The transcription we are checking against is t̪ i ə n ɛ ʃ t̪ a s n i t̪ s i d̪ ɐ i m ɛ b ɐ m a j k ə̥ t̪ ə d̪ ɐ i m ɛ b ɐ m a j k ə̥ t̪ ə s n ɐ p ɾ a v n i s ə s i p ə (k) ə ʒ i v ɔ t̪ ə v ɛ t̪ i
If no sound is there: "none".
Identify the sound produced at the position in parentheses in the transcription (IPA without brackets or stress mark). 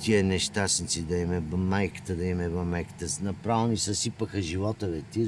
x